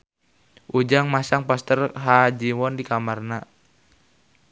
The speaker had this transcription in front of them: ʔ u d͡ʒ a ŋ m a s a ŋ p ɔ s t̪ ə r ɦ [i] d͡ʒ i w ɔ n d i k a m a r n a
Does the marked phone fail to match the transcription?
yes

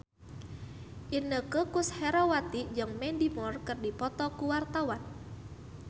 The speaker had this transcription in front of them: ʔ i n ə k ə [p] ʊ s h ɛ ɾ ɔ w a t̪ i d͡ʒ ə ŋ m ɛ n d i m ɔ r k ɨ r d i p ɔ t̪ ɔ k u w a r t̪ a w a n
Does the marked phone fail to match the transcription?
yes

